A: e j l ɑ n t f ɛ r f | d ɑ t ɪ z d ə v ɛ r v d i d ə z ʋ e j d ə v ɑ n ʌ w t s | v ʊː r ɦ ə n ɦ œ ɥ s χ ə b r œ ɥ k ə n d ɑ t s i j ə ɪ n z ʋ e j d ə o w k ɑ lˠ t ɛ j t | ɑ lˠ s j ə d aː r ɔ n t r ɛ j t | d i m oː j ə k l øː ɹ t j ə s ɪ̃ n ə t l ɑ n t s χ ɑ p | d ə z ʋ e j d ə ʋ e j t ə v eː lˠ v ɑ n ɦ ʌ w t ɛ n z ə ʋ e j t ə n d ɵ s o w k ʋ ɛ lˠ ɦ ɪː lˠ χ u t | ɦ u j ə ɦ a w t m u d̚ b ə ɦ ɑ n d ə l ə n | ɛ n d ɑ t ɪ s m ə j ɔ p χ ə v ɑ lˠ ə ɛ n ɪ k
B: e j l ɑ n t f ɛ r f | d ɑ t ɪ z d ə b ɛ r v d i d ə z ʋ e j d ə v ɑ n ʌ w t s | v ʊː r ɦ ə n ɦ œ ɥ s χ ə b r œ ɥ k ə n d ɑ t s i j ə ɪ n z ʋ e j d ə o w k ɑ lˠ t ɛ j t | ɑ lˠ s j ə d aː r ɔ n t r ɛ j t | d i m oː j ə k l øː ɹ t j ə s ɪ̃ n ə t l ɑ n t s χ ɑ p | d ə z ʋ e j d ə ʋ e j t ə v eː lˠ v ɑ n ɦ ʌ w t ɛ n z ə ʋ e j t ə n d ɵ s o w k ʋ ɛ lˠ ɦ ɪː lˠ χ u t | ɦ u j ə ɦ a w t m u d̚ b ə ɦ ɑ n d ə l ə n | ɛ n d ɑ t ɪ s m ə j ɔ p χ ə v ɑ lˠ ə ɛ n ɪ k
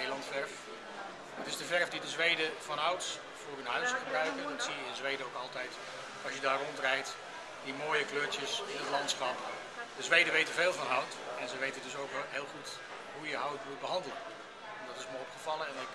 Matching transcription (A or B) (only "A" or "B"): A